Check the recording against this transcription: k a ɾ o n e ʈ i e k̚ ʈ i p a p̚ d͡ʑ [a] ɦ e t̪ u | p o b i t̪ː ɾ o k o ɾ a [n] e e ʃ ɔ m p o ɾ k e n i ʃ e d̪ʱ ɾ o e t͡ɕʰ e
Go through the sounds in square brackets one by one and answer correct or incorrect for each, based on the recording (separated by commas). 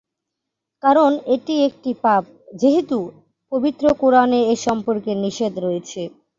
incorrect, correct